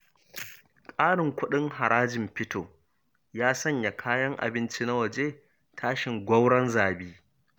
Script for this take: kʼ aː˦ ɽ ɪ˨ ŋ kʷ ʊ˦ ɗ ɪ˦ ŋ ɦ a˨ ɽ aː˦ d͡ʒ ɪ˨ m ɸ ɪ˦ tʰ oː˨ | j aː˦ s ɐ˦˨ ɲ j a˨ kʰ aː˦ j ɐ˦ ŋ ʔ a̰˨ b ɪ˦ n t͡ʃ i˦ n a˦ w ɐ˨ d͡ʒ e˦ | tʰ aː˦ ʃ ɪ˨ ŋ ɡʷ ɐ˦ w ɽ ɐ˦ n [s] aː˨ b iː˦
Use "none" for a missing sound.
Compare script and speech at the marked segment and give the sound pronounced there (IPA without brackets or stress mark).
z